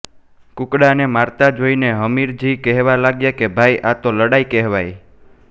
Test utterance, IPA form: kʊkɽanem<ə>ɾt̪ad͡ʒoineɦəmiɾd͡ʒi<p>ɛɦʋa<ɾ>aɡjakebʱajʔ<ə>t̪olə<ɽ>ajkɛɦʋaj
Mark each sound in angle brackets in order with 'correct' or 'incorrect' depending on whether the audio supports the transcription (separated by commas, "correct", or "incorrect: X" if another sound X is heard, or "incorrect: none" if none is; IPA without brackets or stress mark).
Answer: incorrect: a, incorrect: k, incorrect: l, incorrect: a, correct